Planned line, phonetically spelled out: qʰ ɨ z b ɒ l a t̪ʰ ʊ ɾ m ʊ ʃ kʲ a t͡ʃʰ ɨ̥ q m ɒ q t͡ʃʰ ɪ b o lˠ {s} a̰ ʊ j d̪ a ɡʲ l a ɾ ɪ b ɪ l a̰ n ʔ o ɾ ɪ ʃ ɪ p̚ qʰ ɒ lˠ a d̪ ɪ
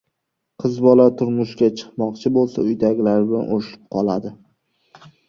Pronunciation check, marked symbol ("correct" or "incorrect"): correct